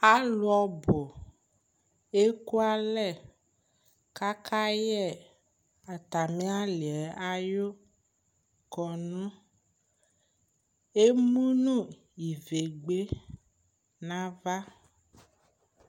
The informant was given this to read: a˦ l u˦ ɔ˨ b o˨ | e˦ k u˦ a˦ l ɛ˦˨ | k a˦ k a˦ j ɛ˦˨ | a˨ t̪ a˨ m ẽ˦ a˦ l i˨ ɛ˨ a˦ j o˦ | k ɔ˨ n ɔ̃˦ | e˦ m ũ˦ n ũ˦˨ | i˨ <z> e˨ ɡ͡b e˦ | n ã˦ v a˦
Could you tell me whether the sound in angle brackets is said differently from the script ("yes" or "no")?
yes